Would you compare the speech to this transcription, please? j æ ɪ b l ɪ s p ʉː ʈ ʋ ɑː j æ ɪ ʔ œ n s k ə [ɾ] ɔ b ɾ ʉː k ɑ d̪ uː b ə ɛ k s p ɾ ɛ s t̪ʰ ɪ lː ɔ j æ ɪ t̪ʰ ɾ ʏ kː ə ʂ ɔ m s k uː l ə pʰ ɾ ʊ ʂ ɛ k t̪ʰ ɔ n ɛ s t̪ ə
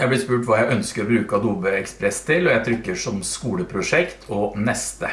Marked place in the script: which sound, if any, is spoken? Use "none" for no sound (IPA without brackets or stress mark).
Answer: ɾ